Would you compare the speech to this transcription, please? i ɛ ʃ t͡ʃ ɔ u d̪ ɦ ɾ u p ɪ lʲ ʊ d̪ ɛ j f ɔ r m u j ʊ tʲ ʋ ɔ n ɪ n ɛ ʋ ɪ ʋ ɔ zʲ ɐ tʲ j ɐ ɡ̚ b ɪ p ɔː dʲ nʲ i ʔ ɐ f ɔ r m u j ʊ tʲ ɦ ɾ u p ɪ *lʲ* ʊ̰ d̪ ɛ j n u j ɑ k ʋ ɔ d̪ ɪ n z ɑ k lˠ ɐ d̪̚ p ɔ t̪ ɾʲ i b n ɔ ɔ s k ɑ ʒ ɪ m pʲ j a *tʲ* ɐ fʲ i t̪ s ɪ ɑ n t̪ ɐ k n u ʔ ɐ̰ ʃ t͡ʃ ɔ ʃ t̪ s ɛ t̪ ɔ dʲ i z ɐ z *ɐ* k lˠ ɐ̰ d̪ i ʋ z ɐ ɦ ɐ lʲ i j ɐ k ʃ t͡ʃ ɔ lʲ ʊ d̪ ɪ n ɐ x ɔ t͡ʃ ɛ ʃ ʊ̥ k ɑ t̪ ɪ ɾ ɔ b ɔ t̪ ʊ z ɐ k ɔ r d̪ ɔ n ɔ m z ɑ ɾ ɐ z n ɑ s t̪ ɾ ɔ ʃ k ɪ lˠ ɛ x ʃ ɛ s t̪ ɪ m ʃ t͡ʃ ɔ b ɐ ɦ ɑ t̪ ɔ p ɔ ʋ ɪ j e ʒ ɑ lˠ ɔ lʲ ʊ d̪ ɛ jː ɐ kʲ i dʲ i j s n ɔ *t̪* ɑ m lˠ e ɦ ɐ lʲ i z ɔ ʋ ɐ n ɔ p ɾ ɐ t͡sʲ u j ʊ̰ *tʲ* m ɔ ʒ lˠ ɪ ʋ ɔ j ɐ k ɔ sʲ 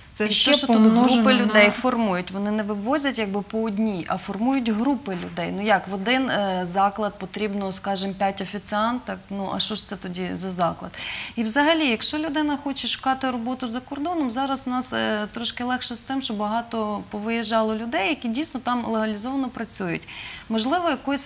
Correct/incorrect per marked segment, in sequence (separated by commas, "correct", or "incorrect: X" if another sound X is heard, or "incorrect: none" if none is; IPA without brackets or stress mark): correct, correct, incorrect: ɑ, correct, correct